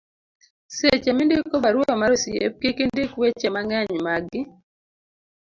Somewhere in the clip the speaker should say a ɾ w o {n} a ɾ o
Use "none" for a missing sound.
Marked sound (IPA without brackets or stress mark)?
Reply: m